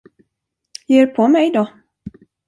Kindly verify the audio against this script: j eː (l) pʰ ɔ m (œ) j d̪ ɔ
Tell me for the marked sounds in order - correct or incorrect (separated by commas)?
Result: incorrect, incorrect